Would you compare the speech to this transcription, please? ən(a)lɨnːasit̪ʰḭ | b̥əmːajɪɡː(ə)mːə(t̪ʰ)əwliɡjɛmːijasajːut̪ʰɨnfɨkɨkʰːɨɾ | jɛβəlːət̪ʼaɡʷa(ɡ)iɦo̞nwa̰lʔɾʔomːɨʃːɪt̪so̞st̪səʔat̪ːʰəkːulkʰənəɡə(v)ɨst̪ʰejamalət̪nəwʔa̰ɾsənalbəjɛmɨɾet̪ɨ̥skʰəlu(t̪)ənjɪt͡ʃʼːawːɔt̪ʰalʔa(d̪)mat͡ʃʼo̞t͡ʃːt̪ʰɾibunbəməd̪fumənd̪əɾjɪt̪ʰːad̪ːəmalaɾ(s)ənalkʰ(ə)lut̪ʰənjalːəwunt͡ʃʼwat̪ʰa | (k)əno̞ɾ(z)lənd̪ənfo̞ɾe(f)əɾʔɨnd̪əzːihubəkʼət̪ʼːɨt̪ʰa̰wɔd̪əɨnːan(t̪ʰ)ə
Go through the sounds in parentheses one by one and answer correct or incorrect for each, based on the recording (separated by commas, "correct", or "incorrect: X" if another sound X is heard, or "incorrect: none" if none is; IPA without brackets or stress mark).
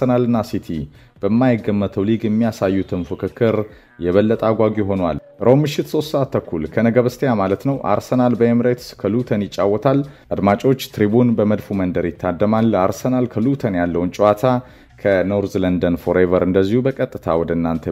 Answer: correct, correct, correct, correct, incorrect: β, incorrect: t̪ʰ, correct, correct, correct, incorrect: kʰ, correct, incorrect: v, correct